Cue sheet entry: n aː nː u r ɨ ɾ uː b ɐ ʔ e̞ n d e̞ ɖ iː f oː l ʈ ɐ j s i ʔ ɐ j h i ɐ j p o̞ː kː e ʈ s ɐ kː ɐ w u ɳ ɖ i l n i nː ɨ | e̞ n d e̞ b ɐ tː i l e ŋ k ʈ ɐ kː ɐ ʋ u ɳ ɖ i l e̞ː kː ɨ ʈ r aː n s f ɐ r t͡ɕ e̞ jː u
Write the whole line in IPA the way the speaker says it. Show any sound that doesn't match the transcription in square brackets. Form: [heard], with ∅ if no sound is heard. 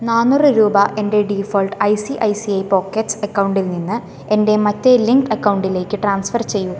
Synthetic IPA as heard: n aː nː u r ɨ ɾ uː b ɐ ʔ e̞ n d e̞ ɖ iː f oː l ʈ ɐ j s i ʔ ɐ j [s] i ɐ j p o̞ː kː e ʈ s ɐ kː ɐ w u ɳ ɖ i l n i nː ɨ | e̞ n d e̞ [m] ɐ tː [e] l [i] ŋ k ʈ ɐ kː ɐ [w] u ɳ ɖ i l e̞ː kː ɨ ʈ r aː n s f ɐ r t͡ɕ e̞ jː u